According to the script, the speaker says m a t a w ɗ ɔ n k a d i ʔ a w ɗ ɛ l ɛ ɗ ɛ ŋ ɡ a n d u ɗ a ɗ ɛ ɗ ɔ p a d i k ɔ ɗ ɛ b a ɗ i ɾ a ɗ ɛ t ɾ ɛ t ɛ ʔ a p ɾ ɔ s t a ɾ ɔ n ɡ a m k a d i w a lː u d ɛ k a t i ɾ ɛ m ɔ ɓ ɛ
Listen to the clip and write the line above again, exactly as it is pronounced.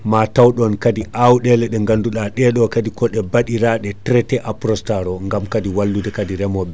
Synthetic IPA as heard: m a t a w ɗ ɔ n k a d i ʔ a w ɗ ɛ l ɛ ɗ ɛ ŋ ɡ a n d u ɗ a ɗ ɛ ɗ ɔ k a d i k ɔ ɗ ɛ b a ɗ i ɾ a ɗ ɛ t ɾ ɛ t ɛ ʔ a p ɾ ɔ s t a ɾ ɔ ŋ ɡ a m k a d i w a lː u d ɛ k a d i ɾ ɛ m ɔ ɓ ɛ